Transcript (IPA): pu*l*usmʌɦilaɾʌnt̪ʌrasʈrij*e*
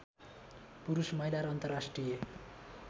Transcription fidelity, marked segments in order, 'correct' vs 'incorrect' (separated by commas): incorrect, correct